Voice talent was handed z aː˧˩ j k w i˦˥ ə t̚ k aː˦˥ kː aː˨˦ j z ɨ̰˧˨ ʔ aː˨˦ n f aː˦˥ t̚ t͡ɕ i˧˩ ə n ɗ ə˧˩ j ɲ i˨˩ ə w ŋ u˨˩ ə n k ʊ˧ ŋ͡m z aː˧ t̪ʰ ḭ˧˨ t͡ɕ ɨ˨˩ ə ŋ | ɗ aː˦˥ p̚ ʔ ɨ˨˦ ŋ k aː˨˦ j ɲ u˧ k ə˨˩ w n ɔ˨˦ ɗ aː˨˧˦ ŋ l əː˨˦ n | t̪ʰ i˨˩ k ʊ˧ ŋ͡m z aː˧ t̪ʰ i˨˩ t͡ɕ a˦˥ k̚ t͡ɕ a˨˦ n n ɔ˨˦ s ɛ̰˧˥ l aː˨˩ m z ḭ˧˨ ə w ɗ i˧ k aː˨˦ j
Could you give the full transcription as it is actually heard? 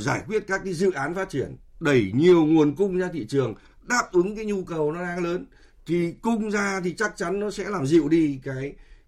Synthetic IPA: z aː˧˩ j k w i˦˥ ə t̚ k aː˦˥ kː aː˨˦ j z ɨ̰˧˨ ʔ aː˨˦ n f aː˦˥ t̚ t͡ɕ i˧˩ ə n ɗ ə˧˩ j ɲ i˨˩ ə w ŋ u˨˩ ə n k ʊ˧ ŋ͡m z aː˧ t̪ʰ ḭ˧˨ t͡ɕ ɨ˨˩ ə ŋ | ɗ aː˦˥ p̚ ʔ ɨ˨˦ ŋ k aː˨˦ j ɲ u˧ k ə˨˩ w n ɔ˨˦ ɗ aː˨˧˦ ŋ l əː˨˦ n | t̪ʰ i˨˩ k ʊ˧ ŋ͡m z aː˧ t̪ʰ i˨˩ t͡ɕ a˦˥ k̚ t͡ɕ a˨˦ n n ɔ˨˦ s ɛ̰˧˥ l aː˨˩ m z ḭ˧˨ ə w ɗ i˧ k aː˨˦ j